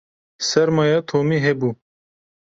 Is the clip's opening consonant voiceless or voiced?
voiceless